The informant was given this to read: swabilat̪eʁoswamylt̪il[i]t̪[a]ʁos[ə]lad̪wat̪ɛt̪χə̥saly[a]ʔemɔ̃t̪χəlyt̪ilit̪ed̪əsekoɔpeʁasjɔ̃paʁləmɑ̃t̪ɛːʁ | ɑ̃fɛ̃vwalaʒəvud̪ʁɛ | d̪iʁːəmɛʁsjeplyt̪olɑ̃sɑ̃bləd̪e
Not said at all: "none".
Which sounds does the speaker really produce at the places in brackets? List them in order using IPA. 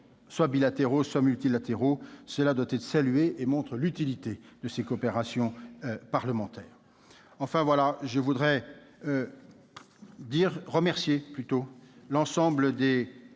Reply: a, e, ə, e

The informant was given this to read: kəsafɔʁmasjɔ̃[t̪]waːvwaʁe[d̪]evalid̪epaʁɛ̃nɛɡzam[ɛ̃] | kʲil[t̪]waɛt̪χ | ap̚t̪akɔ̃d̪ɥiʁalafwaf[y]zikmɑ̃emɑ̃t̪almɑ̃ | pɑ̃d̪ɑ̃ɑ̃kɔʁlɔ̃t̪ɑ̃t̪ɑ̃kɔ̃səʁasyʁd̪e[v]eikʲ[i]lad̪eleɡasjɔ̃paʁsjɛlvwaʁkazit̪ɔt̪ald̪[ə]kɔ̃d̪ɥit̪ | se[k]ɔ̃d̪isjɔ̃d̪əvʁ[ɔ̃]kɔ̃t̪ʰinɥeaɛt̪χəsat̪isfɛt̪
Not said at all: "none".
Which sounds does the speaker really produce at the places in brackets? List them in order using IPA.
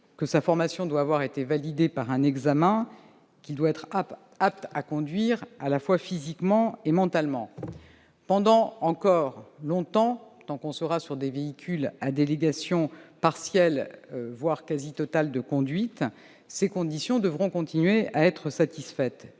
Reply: d̪, t̪, ɛ̃, d̪, i, v, y, ə, k, ɔ̃

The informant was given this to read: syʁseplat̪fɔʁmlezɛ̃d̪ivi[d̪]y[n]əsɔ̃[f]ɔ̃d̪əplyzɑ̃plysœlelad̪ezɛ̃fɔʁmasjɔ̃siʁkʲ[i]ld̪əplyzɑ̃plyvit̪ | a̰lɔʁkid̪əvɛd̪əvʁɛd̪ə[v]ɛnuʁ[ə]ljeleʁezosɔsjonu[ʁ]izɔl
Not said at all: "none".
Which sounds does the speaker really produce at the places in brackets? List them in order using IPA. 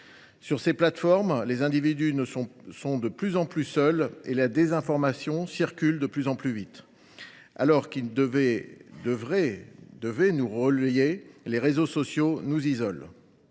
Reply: d̪, n, s, y, v, ə, z

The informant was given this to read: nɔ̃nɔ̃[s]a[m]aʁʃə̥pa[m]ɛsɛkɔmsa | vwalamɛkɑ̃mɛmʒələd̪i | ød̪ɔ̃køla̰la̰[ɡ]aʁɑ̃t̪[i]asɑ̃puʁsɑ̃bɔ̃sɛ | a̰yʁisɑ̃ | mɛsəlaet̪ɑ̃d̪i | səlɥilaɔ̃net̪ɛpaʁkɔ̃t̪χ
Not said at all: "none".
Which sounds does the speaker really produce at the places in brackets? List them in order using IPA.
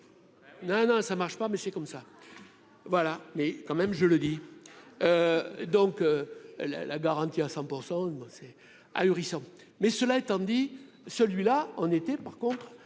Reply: s, m, m, ɡ, i

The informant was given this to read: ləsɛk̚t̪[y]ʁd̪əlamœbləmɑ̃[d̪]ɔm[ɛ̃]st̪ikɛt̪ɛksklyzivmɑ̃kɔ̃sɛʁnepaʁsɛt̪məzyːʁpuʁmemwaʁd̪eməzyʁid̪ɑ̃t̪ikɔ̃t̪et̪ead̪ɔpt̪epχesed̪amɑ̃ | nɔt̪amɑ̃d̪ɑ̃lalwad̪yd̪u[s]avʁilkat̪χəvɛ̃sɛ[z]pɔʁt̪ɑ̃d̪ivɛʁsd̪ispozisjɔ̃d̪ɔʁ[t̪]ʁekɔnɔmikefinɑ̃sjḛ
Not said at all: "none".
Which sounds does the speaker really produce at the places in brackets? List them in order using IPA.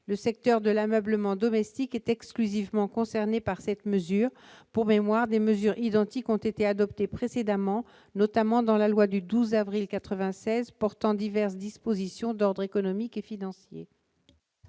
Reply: œ, d̪, ɛ, z, z, d̪

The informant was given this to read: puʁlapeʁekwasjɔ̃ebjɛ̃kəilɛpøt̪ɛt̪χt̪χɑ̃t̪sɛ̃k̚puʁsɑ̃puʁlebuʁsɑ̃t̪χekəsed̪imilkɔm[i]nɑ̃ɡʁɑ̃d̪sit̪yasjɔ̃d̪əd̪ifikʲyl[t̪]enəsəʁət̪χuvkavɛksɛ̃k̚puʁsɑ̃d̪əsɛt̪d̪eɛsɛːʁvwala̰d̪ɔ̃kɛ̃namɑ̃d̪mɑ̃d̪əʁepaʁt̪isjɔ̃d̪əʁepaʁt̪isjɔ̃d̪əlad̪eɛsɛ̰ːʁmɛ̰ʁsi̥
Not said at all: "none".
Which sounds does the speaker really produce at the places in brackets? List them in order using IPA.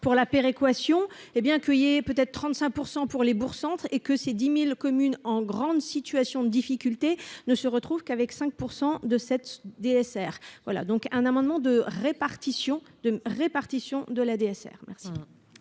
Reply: y, t̪

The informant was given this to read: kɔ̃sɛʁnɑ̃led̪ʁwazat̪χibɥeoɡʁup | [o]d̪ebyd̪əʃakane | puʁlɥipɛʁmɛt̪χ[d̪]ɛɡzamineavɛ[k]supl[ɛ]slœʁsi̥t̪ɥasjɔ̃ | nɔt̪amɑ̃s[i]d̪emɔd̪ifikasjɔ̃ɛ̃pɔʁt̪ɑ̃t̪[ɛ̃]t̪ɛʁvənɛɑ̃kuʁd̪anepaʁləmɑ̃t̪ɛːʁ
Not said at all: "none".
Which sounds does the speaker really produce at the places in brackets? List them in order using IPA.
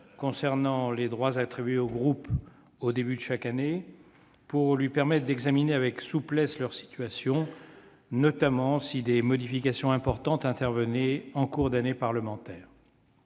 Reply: o, d̪, k, ɛ, i, ɛ̃

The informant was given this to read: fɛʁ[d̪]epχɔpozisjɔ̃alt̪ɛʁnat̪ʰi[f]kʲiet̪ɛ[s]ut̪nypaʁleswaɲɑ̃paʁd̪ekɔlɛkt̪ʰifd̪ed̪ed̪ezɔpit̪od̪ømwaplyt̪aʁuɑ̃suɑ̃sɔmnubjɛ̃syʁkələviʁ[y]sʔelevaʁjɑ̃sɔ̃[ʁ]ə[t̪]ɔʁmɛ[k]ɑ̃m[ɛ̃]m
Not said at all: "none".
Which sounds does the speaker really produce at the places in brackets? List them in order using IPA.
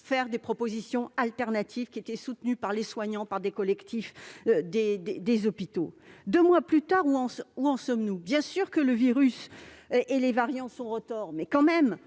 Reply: d̪, v, s, y, ʁ, t̪, k, ɛ

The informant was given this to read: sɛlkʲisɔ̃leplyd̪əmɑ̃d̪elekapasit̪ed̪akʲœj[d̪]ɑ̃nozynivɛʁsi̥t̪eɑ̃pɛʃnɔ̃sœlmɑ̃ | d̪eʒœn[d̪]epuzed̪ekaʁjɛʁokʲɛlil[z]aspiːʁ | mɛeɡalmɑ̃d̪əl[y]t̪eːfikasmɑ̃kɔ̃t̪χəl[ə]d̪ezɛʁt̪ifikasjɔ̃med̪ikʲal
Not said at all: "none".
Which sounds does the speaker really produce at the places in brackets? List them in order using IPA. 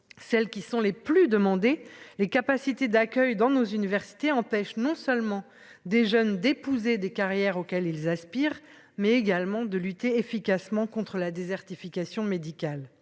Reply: d̪, d̪, z, y, a

